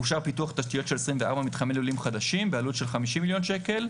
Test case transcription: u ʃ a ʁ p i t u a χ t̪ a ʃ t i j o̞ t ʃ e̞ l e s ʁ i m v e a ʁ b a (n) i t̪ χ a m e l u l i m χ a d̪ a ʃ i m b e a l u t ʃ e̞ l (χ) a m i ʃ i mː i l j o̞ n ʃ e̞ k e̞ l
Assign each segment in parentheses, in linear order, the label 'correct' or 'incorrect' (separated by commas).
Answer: incorrect, correct